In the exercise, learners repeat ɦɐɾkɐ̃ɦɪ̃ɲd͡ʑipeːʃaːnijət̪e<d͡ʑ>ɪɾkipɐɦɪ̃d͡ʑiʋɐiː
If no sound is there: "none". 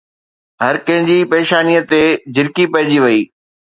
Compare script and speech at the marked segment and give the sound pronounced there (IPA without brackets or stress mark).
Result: d͡ʑ